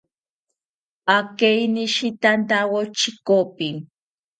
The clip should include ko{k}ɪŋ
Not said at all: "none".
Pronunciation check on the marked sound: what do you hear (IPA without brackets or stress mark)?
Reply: p